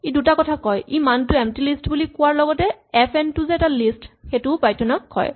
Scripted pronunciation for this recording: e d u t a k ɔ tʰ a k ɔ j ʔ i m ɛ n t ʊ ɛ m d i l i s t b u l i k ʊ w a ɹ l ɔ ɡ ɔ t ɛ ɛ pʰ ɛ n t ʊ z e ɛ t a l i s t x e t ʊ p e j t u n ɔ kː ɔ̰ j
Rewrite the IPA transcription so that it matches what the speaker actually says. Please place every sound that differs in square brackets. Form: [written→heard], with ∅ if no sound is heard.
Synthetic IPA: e d u t a k ɔ tʰ a k ɔ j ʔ i m [ɛ→a] n t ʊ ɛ m [d→t] i l i s t b u l i k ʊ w a ɹ l ɔ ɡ ɔ t ɛ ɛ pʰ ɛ n t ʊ z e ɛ t a l i s t x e t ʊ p [e→a] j t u n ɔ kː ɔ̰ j